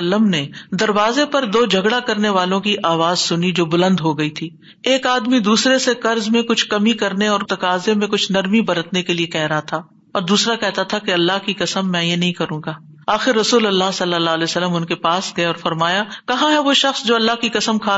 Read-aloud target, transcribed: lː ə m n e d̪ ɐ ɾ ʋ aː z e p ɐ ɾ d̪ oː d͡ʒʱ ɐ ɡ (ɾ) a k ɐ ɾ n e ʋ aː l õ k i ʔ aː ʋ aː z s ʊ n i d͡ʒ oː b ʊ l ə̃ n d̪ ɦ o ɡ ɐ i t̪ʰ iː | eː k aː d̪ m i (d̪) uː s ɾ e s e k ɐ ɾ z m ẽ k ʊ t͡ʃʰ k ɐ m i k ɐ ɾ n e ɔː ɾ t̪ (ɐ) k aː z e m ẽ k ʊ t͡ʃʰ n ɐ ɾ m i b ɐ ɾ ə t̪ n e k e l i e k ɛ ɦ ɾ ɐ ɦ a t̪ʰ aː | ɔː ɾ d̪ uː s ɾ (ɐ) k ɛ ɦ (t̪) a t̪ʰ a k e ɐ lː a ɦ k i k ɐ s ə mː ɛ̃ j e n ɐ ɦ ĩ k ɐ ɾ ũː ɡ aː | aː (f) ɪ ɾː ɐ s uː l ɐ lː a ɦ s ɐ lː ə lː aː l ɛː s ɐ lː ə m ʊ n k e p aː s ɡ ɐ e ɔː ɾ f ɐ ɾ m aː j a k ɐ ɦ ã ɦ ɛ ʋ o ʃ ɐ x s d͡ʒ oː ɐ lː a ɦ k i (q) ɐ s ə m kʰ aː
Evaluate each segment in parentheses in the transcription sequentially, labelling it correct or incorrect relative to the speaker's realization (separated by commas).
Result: incorrect, correct, correct, incorrect, correct, incorrect, incorrect